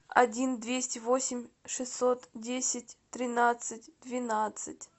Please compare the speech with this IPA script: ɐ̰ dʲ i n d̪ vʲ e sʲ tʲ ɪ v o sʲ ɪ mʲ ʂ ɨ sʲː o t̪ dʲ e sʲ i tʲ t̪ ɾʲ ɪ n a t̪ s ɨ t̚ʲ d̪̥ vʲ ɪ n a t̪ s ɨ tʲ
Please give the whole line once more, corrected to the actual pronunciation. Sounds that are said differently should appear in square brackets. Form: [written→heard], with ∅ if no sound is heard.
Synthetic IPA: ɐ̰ dʲ i n d̪ vʲ e sʲ tʲ ɪ v o sʲ ɪ mʲ ʂ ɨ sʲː o t̪ dʲ e sʲ [i→ɪ] tʲ t̪ ɾʲ ɪ n a t̪ s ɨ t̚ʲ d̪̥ vʲ ɪ n a t̪ s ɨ tʲ